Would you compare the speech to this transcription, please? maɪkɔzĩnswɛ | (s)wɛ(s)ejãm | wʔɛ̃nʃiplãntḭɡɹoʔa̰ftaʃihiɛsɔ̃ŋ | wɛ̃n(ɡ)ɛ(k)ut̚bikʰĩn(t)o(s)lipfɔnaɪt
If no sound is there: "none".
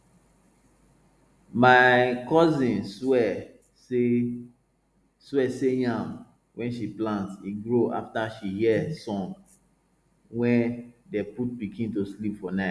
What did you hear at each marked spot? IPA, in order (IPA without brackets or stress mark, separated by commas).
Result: s, s, d, p, t, s